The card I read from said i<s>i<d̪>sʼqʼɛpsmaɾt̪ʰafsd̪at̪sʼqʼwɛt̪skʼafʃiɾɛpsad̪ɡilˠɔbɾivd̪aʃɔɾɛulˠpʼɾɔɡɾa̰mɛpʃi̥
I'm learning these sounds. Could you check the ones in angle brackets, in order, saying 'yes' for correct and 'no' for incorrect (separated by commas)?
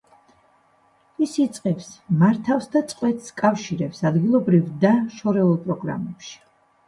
yes, no